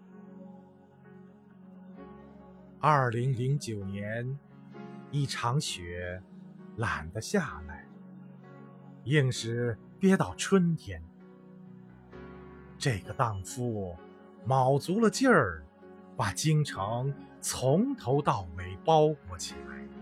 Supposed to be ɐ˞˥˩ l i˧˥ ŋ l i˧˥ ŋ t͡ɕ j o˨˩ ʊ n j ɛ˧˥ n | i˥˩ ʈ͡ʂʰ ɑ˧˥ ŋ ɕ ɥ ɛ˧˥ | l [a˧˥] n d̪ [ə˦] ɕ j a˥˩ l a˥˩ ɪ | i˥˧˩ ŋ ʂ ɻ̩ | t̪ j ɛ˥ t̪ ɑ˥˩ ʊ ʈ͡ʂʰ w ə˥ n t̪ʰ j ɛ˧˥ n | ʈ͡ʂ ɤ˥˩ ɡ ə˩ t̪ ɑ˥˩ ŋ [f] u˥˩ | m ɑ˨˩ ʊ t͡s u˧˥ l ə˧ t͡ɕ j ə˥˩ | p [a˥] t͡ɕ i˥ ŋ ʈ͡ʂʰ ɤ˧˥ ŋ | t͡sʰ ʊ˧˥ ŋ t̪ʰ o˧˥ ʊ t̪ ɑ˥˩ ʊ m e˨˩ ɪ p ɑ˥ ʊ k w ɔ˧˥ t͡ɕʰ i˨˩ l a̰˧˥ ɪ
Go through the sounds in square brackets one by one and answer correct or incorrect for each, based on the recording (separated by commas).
incorrect, correct, correct, incorrect